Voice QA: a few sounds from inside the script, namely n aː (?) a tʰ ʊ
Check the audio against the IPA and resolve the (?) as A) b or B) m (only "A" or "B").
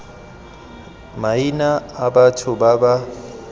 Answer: A